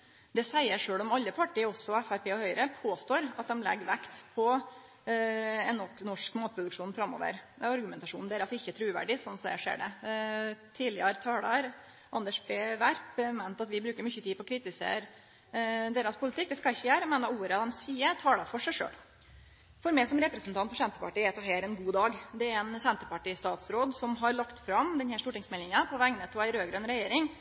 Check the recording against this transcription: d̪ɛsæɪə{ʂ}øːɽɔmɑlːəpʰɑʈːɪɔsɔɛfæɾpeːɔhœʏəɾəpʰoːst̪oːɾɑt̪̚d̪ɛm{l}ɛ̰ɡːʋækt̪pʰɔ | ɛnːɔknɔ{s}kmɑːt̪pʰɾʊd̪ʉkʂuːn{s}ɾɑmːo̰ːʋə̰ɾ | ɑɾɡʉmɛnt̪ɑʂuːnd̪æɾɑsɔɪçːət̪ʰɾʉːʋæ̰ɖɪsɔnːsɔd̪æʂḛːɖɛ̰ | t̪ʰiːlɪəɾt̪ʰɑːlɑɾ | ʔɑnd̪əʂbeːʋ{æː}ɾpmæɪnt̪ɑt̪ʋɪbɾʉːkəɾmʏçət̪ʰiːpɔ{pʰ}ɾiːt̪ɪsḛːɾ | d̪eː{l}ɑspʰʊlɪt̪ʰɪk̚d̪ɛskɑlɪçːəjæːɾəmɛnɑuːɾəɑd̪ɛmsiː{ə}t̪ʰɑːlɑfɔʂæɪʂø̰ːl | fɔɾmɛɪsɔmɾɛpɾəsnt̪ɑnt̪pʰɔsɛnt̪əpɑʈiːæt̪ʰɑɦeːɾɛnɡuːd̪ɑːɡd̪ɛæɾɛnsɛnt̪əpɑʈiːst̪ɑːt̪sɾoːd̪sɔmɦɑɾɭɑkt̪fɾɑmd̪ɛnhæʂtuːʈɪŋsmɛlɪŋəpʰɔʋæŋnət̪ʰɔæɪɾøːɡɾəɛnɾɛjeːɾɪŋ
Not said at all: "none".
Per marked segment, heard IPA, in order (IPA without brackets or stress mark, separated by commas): ʂ, l, ʂ, f, æ, kʰ, ɾ, ə